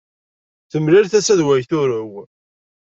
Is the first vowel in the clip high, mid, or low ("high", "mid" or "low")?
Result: mid